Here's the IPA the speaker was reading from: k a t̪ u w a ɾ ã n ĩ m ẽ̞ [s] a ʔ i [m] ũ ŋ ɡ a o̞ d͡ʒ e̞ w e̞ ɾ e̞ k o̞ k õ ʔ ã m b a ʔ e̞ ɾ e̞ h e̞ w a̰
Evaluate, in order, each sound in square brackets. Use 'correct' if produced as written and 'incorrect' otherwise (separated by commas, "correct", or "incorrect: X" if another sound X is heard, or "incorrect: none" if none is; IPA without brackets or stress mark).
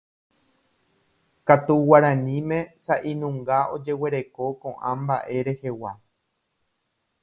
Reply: correct, incorrect: n